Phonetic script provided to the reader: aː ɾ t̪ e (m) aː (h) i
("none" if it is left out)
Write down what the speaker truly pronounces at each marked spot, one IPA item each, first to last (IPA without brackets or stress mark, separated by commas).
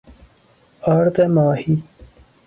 m, h